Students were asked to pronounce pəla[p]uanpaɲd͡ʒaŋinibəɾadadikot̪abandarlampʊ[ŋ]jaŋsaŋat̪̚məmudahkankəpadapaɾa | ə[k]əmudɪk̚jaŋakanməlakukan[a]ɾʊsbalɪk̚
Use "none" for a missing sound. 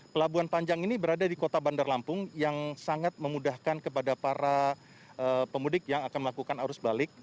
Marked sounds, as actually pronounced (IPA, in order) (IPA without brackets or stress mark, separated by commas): b, ŋ, p, a